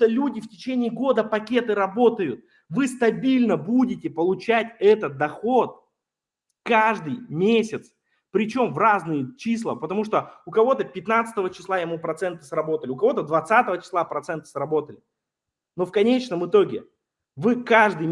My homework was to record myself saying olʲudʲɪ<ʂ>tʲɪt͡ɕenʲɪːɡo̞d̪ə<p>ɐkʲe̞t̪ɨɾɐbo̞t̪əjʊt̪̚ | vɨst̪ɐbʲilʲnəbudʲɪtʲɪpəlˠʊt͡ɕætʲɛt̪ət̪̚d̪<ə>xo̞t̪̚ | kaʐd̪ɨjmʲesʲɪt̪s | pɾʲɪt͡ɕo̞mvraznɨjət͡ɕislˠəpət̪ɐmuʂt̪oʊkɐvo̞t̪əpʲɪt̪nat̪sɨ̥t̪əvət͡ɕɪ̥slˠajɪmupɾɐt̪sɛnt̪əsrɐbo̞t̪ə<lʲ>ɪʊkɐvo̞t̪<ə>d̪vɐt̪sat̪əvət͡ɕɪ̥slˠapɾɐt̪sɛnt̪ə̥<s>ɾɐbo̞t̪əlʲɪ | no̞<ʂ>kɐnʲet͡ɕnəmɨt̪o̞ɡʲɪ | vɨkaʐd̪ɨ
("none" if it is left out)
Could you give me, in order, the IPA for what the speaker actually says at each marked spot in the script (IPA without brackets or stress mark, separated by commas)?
f, p, ɐ, lʲ, ə, s, f